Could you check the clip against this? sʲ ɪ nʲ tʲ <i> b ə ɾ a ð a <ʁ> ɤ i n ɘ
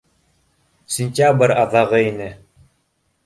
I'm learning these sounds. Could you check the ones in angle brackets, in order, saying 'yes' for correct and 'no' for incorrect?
no, yes

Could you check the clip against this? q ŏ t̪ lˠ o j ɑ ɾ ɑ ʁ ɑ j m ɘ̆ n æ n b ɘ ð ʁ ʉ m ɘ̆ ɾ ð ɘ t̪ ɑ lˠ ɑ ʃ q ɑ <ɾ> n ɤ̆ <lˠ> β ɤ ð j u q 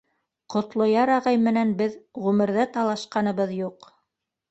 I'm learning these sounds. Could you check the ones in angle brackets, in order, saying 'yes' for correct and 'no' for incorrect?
no, no

